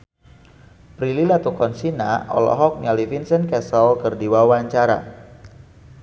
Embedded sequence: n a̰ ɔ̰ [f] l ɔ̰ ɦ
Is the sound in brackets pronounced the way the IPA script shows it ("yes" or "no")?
no